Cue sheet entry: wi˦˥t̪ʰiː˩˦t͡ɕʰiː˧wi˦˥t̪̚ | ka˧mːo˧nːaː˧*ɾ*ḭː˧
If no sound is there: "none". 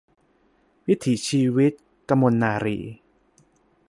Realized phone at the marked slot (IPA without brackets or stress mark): ɾ